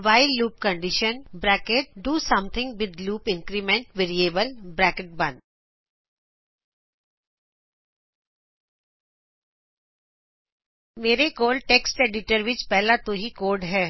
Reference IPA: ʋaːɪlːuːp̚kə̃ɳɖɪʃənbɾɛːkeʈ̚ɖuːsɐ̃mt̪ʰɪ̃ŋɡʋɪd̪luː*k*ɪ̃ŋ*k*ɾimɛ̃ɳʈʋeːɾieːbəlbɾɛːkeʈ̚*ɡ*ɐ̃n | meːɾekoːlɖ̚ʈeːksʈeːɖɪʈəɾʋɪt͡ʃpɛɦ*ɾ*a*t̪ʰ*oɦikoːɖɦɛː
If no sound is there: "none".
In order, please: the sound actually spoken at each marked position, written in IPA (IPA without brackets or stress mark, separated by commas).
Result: p, k, b, l, t̪